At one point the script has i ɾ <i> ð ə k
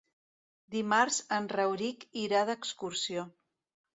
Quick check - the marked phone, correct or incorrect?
incorrect: a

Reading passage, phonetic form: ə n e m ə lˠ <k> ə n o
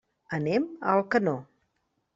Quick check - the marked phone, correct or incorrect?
correct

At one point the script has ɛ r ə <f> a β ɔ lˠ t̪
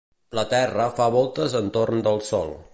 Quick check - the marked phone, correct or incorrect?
correct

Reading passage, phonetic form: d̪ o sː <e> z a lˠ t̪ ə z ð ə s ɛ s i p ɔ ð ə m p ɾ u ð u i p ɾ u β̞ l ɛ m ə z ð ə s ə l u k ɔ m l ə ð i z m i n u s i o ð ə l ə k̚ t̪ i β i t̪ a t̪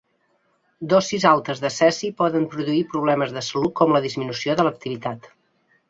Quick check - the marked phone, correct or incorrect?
incorrect: i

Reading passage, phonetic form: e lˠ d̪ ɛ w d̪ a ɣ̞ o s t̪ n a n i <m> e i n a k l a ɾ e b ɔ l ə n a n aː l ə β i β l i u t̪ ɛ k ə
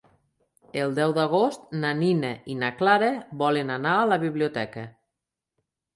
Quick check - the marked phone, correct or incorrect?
incorrect: n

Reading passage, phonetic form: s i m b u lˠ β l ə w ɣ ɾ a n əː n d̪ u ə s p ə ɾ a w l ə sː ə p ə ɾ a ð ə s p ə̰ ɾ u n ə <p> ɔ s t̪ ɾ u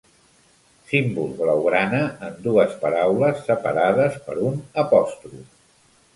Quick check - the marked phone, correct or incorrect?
correct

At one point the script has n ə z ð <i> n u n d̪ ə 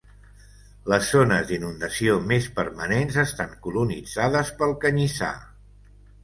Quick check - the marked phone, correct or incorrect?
correct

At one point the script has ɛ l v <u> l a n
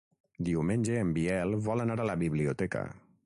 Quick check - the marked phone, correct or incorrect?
incorrect: ɔ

